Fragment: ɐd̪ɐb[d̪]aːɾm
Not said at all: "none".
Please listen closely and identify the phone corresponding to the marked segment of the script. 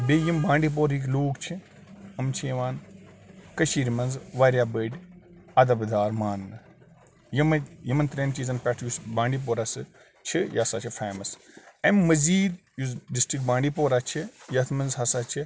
d̪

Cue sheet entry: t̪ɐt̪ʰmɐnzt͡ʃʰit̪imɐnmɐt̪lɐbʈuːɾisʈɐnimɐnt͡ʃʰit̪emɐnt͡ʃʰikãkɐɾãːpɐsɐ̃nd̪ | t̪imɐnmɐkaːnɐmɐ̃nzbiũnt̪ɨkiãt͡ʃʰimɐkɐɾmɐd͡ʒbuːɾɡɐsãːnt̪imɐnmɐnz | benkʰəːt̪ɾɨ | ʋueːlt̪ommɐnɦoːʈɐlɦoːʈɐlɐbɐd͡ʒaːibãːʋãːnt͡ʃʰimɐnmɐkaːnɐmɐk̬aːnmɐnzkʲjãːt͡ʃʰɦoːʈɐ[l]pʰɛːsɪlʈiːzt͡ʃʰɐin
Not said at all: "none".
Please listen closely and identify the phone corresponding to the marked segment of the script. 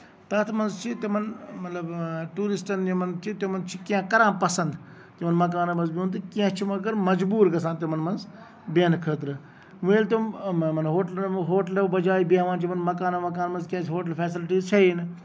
l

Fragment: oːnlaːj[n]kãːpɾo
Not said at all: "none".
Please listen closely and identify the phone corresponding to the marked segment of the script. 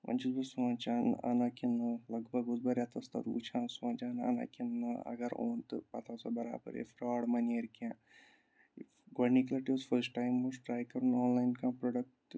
n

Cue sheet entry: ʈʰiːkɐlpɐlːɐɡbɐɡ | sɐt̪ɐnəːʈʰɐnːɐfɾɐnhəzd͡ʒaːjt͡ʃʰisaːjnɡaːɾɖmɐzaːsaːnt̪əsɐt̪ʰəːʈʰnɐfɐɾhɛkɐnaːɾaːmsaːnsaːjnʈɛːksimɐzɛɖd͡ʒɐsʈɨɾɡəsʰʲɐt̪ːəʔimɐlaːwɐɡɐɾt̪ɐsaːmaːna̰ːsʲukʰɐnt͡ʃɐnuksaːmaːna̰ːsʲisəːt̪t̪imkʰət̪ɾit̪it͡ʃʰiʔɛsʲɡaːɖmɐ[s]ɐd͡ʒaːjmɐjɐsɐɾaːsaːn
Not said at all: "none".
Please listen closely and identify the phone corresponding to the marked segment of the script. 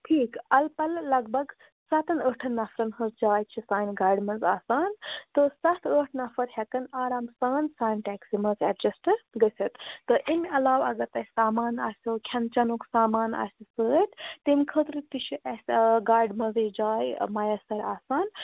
z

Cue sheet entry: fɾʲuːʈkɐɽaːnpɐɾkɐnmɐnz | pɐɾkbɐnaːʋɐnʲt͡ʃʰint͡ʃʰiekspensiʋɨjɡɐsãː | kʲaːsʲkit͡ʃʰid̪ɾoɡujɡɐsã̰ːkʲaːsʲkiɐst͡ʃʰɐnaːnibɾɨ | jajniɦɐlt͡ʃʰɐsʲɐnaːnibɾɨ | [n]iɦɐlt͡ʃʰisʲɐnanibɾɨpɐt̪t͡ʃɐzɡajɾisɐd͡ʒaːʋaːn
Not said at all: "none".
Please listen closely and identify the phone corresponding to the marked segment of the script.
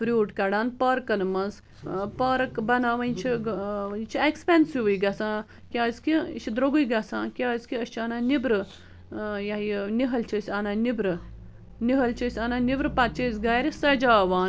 n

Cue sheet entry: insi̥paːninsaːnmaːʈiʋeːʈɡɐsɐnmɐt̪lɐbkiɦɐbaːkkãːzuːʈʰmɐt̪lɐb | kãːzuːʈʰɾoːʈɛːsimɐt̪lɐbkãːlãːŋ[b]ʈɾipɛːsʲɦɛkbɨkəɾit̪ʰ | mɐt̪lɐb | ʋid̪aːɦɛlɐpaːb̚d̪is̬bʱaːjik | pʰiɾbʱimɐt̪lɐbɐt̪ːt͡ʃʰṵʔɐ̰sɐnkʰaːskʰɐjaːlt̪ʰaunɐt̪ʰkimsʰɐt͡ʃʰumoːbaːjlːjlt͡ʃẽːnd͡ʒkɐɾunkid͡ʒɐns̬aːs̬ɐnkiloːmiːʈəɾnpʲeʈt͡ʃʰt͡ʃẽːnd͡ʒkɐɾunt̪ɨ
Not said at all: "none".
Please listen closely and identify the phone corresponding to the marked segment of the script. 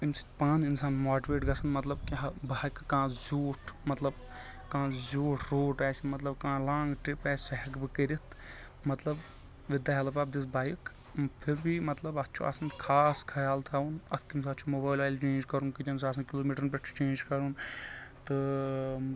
ɡ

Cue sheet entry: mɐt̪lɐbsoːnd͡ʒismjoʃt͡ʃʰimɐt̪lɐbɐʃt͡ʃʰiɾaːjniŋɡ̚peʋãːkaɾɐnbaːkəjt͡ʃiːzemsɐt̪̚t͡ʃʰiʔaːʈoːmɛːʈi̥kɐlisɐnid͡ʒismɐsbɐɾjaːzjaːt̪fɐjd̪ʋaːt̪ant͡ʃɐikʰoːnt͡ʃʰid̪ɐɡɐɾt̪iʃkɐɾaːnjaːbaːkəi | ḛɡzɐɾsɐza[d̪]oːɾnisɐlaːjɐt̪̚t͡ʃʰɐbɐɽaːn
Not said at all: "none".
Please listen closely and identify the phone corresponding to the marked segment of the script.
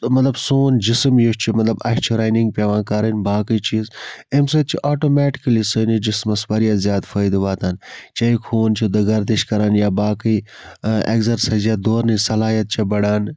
d̪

